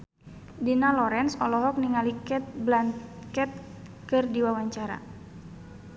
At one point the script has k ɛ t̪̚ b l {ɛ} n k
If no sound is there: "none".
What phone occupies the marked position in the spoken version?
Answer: a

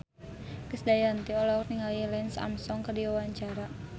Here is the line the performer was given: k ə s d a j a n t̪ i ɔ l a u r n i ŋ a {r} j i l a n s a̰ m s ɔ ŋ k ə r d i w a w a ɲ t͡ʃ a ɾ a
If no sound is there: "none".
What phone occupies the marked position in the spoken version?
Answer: l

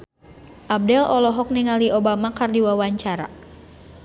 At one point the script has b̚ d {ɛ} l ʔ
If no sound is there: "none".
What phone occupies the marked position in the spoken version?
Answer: ɛ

